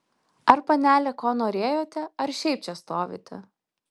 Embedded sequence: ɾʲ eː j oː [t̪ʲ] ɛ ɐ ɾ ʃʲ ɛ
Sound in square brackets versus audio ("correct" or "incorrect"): correct